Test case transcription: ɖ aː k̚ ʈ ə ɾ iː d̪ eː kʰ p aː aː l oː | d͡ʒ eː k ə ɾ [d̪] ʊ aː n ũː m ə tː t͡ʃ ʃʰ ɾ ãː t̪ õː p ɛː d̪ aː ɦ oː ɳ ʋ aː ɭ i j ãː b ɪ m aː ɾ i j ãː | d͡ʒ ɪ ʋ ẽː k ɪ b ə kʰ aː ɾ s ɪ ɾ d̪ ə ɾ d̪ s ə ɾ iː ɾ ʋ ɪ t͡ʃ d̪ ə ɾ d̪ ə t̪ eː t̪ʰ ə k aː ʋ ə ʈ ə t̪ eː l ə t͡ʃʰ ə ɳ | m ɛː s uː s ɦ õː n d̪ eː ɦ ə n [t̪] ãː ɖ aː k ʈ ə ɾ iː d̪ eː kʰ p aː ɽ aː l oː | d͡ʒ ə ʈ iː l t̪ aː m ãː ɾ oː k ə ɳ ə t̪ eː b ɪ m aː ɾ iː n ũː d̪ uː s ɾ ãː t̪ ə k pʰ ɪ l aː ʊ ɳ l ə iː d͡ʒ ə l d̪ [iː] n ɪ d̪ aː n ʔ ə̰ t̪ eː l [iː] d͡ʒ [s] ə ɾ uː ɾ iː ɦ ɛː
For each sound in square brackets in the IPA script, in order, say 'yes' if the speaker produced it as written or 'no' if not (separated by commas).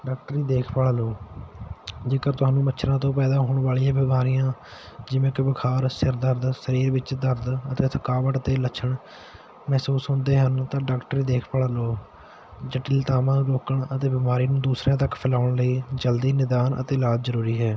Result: no, yes, yes, no, no